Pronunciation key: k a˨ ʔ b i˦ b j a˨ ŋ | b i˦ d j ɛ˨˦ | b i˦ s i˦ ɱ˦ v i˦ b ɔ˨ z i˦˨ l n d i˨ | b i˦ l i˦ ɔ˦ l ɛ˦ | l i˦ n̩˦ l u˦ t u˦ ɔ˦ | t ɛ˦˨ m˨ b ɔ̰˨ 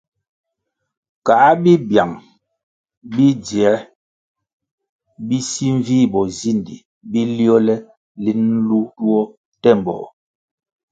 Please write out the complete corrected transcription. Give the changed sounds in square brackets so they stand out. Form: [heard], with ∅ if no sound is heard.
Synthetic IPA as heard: k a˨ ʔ b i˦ b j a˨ ŋ | b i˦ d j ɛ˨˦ | b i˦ s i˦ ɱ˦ v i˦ b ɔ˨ z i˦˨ [∅] n d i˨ | b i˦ l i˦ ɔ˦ l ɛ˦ | l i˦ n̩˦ l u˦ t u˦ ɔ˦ | t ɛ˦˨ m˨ b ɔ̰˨